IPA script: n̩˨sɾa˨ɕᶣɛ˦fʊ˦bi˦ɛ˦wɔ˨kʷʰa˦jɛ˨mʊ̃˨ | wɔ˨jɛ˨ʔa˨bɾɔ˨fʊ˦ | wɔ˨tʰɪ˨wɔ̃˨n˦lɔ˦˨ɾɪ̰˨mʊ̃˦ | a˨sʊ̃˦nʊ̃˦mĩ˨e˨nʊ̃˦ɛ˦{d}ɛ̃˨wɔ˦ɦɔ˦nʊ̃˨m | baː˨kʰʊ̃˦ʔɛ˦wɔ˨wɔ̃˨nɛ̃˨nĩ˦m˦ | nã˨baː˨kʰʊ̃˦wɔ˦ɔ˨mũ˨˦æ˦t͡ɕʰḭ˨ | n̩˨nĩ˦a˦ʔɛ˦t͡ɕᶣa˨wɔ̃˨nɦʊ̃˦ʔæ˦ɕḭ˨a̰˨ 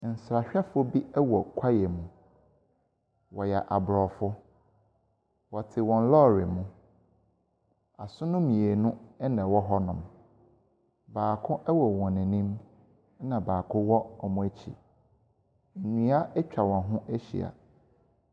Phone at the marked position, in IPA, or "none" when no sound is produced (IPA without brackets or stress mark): n